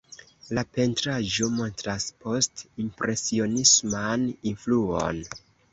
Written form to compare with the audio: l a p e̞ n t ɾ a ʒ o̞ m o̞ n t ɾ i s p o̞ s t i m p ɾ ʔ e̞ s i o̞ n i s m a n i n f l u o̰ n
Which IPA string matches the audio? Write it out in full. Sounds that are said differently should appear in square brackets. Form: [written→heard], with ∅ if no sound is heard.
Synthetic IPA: l a p e̞ n t ɾ a ʒ o̞ m o̞ n t ɾ [i→a] s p o̞ s t i m p ɾ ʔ e̞ s i o̞ n i s m a n i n f l u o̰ n